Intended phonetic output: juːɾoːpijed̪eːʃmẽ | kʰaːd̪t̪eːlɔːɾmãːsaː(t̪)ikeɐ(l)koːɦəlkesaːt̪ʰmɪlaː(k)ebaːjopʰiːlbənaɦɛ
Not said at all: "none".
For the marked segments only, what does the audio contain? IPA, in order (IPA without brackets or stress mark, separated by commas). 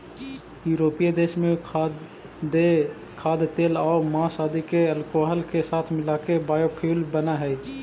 d̪, l, k